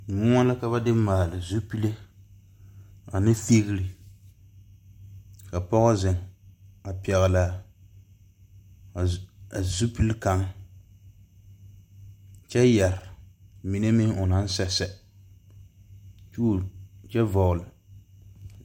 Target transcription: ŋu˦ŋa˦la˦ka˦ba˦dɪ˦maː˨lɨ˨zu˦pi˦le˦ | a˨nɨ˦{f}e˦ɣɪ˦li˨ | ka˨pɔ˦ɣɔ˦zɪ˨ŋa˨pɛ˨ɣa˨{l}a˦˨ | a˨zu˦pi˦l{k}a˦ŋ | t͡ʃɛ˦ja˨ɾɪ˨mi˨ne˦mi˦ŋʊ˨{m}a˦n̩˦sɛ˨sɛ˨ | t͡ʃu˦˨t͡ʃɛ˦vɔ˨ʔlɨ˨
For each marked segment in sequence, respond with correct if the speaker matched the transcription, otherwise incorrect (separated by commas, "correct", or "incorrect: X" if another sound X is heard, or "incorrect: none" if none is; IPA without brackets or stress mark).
correct, correct, correct, incorrect: n